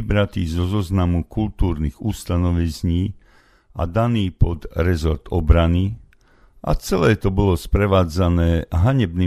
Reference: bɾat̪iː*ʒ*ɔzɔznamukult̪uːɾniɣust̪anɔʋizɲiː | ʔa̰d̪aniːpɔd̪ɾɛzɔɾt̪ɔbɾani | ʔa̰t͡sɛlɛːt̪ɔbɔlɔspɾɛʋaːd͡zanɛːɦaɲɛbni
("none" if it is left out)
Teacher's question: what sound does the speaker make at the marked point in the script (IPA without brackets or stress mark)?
z